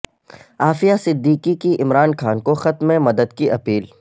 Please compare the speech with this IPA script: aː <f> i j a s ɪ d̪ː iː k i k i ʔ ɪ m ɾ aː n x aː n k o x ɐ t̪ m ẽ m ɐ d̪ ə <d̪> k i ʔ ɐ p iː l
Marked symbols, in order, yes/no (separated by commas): yes, yes